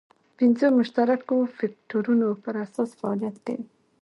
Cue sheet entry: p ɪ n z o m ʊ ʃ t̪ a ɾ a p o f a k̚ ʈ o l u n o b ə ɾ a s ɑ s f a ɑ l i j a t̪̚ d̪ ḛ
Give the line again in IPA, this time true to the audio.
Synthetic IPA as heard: p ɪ n z o m ʊ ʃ t̪ a ɾ a k o f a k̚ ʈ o ɾ u n o p ə ɾ a s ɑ s f a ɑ l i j a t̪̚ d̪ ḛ